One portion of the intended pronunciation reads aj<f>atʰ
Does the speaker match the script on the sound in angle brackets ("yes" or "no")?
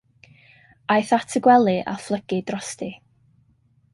no